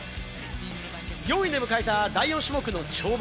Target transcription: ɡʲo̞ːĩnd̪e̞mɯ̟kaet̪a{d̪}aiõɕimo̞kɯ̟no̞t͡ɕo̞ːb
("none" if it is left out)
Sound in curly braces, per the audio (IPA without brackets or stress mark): d̪